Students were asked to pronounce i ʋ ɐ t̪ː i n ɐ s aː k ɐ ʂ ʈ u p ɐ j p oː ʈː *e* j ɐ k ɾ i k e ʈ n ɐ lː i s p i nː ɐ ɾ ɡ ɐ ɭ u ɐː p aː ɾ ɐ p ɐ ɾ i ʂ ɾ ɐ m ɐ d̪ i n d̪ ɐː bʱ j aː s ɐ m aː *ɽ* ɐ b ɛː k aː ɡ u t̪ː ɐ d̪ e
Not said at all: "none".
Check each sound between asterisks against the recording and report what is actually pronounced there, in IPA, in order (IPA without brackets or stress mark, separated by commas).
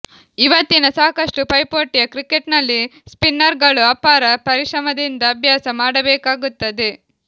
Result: i, ɽ